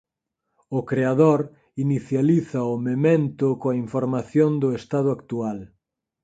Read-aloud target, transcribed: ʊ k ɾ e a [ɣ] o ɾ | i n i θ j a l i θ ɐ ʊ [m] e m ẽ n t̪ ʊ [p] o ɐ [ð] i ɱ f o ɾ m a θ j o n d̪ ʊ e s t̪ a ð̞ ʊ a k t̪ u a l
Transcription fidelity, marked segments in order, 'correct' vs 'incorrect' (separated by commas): incorrect, correct, incorrect, incorrect